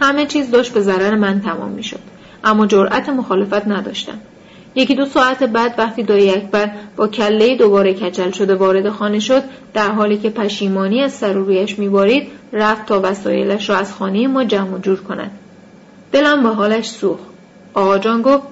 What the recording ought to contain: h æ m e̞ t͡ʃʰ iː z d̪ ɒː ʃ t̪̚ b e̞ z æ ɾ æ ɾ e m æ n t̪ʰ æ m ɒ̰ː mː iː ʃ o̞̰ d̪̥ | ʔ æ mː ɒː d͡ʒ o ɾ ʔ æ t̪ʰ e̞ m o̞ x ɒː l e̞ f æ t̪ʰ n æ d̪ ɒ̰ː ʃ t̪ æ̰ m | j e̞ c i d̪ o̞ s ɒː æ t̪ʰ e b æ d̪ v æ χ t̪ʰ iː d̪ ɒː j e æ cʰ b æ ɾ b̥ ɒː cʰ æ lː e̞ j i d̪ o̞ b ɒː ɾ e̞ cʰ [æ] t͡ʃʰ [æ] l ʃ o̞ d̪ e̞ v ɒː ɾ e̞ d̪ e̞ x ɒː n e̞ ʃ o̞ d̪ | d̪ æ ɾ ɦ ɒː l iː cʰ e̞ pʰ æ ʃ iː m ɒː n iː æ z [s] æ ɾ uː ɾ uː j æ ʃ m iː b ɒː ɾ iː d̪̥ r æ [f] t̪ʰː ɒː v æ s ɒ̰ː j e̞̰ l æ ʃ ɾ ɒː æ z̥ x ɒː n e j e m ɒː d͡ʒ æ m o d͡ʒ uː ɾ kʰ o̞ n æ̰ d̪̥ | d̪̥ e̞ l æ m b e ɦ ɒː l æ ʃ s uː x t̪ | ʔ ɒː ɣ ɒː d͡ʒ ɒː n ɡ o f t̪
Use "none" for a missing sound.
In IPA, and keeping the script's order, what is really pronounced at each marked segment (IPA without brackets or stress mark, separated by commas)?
æ, æ, s, f